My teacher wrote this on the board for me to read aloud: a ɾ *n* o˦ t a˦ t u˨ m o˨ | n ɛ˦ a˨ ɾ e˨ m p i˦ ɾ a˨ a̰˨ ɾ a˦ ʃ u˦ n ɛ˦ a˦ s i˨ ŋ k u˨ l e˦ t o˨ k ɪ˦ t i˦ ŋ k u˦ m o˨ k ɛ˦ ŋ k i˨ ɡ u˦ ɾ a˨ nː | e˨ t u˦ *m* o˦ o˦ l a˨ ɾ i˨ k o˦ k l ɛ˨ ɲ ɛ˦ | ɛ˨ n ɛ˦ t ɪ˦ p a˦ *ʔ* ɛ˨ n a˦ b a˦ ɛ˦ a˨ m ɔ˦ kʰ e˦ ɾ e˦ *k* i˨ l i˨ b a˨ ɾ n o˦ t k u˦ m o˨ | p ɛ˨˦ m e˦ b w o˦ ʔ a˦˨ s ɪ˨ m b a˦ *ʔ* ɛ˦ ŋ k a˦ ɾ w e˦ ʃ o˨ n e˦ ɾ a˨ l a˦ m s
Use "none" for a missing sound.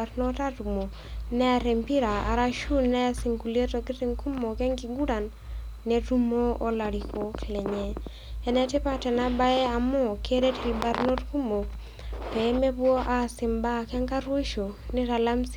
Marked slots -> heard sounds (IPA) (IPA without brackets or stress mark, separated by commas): n, m, t, t, k